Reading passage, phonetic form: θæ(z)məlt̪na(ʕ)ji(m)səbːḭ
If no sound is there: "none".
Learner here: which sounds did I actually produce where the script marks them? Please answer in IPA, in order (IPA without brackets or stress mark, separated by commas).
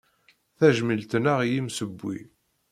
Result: ʒ, ʁ, m